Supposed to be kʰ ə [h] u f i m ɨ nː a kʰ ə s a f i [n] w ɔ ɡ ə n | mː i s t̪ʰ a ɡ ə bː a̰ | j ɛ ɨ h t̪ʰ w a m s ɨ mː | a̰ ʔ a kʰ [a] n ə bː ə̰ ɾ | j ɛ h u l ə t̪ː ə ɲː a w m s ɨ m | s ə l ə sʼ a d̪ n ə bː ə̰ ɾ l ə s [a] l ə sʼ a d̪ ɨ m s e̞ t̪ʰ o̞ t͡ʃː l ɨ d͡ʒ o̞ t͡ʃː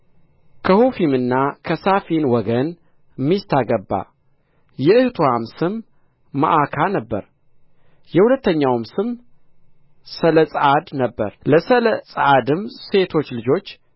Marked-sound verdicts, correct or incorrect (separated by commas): correct, correct, correct, incorrect